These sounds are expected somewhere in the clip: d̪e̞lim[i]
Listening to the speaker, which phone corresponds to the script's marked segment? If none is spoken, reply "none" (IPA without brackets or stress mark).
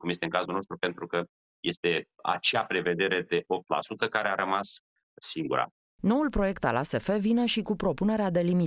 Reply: i